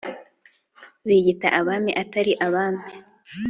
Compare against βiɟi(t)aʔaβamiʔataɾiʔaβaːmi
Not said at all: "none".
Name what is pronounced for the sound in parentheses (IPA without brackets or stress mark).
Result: t